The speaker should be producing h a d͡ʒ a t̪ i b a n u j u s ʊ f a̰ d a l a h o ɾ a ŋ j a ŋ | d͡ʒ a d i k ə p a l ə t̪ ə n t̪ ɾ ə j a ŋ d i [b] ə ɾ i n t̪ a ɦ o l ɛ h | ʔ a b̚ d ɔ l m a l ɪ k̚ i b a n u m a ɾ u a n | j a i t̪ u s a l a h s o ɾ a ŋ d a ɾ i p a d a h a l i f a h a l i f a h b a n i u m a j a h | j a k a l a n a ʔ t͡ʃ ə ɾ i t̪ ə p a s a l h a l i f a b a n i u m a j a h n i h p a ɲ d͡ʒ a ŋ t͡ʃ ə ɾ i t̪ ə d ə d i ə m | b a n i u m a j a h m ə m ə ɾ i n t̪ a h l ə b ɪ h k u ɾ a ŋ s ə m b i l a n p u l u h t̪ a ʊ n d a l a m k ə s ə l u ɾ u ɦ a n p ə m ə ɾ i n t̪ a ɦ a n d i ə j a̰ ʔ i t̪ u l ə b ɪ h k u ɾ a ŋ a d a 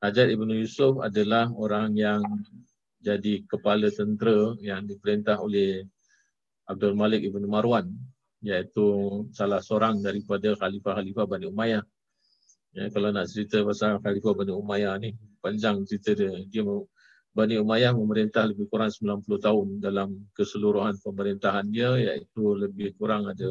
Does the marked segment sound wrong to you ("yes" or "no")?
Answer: yes